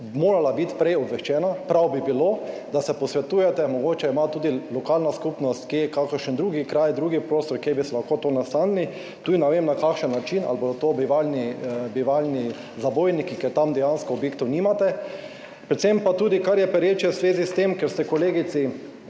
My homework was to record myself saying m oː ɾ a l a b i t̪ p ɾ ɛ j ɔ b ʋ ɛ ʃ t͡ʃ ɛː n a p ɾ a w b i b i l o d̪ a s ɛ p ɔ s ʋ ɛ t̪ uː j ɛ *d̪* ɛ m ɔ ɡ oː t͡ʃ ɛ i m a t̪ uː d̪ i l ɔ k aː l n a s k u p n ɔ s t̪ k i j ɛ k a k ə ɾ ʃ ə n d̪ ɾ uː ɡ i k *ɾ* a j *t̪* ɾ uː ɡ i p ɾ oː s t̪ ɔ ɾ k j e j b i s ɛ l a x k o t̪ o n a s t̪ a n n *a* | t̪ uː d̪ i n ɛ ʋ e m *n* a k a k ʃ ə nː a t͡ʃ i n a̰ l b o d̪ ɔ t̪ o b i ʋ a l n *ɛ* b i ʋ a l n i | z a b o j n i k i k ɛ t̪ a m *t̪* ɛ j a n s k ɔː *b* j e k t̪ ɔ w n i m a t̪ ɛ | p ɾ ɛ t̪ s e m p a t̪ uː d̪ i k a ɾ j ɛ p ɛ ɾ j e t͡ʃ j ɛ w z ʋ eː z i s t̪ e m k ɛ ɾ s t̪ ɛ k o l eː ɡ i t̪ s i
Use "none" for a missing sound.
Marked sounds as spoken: t̪, ɾ, d̪, i, n, i, d̪, b

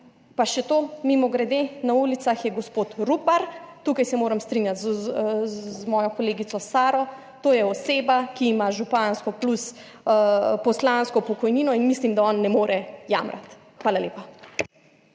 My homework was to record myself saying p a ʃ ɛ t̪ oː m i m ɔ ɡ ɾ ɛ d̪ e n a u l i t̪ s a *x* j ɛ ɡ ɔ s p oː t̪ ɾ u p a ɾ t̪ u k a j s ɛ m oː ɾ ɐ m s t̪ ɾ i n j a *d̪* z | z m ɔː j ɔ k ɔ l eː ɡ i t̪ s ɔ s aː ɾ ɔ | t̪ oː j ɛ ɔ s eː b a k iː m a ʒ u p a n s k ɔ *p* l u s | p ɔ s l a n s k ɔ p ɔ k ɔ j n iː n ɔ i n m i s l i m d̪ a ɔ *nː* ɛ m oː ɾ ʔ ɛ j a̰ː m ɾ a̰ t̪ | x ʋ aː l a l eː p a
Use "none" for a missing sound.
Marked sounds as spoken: x, t̪, p, nː

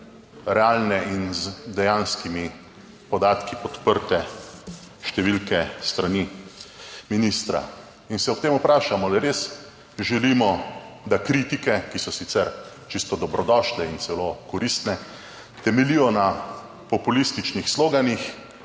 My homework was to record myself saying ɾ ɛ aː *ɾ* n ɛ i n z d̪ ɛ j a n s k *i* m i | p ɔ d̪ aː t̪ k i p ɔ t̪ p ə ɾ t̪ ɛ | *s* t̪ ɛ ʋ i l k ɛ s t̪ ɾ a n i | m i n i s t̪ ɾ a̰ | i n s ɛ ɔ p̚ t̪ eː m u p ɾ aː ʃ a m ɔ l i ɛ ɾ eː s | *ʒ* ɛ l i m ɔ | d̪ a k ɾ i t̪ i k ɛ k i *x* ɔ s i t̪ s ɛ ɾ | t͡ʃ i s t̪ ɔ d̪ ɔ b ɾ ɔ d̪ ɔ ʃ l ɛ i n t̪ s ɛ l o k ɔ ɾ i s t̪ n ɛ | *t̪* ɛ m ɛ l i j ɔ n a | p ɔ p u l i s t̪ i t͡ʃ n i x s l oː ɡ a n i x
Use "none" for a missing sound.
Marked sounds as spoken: l, i, ʃ, ʒ, s, t̪

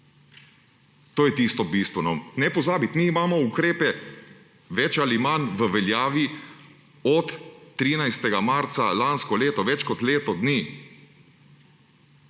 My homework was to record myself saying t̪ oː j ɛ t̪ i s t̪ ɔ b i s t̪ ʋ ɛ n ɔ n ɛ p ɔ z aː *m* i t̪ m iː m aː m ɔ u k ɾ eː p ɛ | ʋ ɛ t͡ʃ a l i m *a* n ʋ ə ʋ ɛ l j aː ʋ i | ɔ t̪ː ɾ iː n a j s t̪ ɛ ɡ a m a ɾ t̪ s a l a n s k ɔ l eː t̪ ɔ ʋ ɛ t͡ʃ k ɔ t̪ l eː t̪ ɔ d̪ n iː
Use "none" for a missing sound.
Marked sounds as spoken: b, a

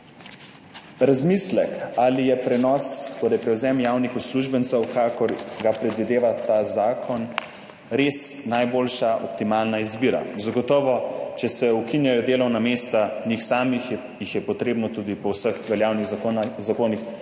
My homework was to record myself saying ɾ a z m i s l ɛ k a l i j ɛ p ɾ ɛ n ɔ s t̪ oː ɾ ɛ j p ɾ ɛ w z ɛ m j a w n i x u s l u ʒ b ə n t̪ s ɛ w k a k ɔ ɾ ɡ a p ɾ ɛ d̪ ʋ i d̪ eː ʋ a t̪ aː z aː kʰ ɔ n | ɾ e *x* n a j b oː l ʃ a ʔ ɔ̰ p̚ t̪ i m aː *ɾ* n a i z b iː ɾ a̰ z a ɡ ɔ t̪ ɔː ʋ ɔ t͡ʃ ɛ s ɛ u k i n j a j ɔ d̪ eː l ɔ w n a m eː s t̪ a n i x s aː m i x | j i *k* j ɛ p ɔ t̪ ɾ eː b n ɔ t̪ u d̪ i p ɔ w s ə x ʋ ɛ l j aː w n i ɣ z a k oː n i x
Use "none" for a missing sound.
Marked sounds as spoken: s, l, x

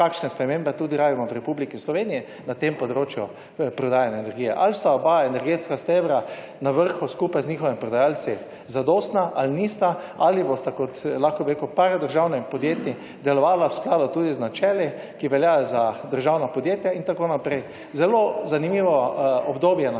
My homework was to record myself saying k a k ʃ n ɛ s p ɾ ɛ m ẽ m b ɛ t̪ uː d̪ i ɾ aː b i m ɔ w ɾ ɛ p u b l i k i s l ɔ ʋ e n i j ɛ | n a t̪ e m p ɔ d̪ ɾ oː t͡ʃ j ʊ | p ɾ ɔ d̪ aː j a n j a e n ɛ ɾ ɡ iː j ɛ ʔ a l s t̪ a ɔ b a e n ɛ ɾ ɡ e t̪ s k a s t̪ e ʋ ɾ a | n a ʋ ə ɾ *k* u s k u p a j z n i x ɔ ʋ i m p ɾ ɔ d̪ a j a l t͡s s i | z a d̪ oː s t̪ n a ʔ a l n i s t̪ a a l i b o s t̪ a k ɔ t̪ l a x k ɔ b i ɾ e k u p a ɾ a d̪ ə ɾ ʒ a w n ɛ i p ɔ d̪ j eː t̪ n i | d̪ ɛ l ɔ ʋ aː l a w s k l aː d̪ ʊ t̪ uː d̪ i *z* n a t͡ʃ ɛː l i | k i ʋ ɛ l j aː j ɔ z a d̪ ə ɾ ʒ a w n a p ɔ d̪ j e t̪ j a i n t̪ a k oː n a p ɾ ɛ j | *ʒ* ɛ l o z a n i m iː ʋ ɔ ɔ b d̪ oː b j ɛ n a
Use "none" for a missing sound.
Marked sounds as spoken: x, z, z

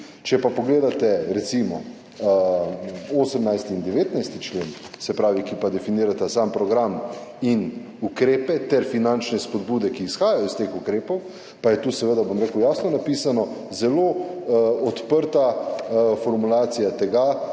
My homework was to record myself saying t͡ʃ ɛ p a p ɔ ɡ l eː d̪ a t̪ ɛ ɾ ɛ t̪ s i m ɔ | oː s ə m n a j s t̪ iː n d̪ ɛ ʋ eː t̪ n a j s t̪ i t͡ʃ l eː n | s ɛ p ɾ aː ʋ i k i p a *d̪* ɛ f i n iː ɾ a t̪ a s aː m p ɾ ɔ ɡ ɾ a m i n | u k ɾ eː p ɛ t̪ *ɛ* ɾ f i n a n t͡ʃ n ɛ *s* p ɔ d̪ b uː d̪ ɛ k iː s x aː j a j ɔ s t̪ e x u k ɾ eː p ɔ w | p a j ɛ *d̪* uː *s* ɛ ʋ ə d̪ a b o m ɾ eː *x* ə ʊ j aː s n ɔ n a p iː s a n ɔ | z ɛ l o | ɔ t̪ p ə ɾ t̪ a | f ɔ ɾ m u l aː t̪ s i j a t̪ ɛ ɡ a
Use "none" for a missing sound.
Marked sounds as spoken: d̪, ɛ, s, t̪, s, k

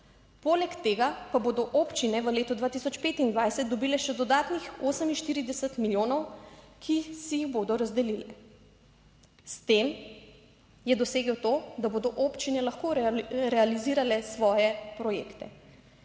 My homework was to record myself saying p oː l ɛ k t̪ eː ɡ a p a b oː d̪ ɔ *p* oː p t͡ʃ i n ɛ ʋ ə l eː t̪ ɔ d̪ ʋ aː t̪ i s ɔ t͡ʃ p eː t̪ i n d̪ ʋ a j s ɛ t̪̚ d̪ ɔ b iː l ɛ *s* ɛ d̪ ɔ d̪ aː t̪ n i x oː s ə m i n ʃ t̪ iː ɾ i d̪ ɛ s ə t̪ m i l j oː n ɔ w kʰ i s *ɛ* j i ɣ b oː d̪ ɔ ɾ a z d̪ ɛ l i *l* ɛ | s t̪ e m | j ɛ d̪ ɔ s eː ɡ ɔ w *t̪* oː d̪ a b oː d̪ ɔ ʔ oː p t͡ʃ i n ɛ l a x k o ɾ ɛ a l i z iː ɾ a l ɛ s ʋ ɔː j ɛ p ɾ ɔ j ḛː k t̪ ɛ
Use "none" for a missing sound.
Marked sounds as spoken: ʔ, ʃ, i, l, t̪

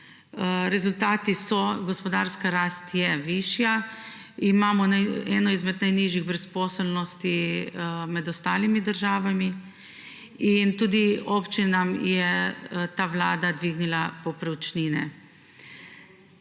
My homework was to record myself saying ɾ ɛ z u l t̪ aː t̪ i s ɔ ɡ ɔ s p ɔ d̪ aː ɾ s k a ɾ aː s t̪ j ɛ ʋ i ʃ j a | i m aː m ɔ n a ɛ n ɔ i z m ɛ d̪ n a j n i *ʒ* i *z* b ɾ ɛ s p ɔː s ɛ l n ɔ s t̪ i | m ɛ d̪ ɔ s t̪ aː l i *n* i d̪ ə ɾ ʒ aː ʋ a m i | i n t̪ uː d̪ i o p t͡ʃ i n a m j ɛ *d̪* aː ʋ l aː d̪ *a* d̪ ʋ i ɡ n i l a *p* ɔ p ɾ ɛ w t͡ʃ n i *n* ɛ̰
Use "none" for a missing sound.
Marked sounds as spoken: ʒ, ɣ, m, t̪, a, p, n

